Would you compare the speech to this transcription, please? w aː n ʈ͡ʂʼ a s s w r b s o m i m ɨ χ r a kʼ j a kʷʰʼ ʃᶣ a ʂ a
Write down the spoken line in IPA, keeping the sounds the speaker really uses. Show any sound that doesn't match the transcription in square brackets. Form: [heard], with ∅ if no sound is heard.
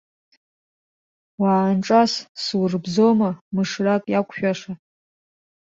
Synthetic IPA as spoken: w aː n ʈ͡ʂʼ a s s w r b [z] o m [a] m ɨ [ʂ] r a kʼ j a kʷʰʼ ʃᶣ a ʂ a